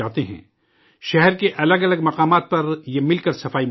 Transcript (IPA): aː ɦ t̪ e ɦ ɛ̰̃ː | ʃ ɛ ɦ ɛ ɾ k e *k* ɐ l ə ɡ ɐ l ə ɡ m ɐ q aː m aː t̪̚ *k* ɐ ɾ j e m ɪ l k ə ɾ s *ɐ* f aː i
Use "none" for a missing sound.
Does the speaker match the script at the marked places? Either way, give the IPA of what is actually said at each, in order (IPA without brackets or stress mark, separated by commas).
ʔ, p, ɐ